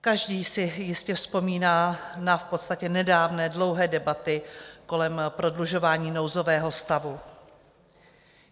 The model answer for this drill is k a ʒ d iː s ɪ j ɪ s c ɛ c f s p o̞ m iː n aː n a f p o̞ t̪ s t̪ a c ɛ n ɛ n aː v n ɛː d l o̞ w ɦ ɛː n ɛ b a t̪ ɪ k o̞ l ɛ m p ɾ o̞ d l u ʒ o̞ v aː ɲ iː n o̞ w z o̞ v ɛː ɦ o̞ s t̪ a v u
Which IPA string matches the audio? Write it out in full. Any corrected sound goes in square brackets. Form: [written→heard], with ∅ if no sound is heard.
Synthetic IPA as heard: k a ʒ d iː s ɪ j ɪ s c ɛ [c→∅] f s p o̞ m iː n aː n a f p o̞ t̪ s t̪ a c ɛ n ɛ [n→d] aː v n ɛː d l o̞ w ɦ ɛː [n→d] ɛ b a t̪ ɪ k o̞ l ɛ m p ɾ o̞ d l u ʒ o̞ v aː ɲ iː n o̞ w z o̞ v ɛː ɦ o̞ s t̪ a v u